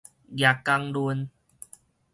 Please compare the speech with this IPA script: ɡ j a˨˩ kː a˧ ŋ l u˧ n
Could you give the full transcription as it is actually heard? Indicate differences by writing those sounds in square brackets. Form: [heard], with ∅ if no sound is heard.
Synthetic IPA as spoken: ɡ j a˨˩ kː a˧ ŋ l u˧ n